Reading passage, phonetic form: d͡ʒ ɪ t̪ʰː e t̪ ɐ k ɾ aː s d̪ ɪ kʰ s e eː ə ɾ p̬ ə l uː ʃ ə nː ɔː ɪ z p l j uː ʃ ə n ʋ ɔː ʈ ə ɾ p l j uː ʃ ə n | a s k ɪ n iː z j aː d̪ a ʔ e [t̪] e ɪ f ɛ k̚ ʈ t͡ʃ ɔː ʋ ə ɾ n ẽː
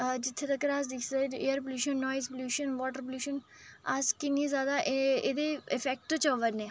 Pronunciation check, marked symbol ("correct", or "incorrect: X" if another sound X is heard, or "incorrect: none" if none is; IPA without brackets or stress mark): incorrect: d̪